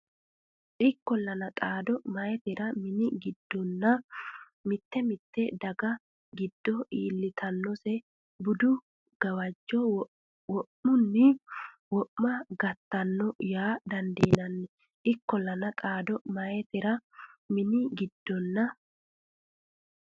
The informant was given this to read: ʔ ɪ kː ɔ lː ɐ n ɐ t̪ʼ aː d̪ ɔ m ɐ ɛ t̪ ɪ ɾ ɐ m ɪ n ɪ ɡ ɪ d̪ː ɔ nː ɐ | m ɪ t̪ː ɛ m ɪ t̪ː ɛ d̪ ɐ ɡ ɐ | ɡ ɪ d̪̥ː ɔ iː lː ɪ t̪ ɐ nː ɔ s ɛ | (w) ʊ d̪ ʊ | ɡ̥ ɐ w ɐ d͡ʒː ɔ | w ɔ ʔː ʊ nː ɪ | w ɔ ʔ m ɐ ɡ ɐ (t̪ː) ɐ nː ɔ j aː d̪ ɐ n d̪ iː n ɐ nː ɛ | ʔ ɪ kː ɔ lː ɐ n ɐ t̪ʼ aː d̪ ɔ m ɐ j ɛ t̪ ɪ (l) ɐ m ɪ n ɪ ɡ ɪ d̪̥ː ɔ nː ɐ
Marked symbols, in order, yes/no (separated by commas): no, yes, no